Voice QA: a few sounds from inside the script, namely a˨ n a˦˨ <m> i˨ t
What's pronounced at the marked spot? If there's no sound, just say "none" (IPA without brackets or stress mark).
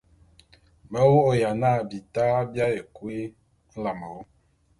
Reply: b